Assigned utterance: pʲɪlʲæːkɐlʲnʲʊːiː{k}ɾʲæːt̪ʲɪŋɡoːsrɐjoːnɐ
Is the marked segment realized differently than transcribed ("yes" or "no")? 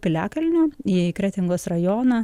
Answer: no